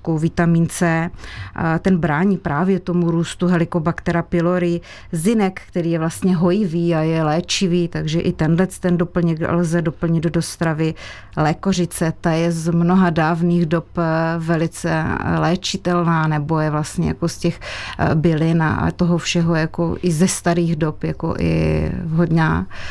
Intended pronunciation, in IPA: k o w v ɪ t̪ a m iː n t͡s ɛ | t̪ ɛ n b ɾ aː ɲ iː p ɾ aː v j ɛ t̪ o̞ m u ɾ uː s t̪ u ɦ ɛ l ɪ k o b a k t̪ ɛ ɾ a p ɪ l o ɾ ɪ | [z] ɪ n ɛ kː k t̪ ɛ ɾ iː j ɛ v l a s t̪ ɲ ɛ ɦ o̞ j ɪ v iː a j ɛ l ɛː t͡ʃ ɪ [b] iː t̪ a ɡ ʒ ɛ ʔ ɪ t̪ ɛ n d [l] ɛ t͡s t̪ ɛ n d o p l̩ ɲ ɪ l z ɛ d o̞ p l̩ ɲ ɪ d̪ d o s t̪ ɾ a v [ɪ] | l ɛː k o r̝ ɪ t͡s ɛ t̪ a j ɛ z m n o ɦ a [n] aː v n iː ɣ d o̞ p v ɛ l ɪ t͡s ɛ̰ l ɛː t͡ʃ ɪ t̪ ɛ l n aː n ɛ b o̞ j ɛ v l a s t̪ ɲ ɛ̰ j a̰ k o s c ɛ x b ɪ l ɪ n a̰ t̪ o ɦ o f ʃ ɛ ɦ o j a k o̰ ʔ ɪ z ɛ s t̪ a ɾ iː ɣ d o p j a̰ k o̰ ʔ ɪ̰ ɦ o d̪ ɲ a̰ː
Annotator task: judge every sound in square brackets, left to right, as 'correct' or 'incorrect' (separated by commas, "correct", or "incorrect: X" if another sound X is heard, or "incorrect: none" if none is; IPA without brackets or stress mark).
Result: correct, incorrect: v, correct, correct, incorrect: d